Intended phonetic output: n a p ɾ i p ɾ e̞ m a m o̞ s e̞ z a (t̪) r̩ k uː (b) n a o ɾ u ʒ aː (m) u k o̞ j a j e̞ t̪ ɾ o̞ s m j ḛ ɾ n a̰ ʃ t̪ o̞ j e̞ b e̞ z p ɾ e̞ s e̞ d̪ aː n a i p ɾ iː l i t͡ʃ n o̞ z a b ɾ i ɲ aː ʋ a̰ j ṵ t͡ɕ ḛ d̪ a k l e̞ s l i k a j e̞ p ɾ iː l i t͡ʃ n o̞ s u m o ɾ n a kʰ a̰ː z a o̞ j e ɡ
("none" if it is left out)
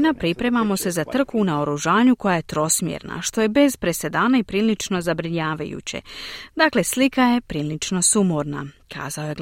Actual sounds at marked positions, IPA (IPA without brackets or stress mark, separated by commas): t̪, none, ɲ